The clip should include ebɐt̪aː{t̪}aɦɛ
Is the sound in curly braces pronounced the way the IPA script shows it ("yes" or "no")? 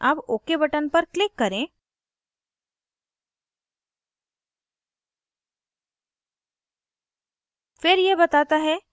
yes